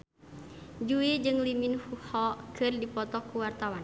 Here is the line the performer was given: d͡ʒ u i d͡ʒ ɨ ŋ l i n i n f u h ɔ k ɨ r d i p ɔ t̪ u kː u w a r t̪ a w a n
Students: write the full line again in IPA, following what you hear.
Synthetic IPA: d͡ʒ u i d͡ʒ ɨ ŋ l i m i n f u h ɔ k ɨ r d i p ɔ t̪ ɔ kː u w a r t̪ a w a n